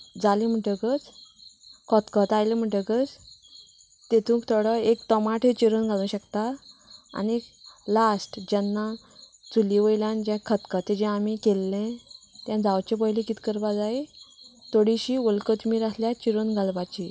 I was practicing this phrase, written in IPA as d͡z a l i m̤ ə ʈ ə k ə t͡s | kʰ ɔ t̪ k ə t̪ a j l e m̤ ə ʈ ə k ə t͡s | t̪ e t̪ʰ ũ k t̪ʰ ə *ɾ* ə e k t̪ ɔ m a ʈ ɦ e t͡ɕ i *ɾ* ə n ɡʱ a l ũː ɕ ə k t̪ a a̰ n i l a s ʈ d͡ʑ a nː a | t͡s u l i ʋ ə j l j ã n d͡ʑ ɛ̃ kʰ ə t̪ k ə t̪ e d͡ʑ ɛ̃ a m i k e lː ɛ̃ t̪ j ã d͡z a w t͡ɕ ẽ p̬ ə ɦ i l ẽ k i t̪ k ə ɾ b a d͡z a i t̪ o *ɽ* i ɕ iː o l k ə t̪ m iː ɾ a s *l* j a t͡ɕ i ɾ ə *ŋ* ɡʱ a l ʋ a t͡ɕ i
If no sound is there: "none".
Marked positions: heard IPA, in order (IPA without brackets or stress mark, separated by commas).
ɽ, ɾ, ɽ, l, n